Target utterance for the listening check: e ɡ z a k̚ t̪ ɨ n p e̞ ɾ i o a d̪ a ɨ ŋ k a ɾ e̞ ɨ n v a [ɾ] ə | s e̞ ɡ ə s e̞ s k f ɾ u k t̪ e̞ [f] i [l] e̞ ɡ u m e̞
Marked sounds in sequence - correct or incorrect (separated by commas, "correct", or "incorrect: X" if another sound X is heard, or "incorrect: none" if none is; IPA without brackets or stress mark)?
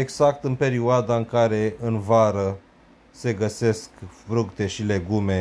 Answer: correct, incorrect: ʃ, correct